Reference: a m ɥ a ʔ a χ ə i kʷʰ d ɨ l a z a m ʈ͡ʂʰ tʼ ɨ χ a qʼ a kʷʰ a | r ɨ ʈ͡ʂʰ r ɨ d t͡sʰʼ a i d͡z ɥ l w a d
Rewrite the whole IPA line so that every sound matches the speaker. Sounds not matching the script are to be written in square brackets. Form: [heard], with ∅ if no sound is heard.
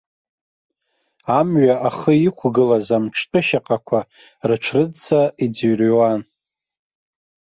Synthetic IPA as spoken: a m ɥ a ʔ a χ ə i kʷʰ [ɡ] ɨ l a z a m ʈ͡ʂʰ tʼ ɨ [ʃ] a qʼ a kʷʰ a | r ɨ ʈ͡ʂʰ r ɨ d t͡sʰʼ a i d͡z ɥ [r] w a [n]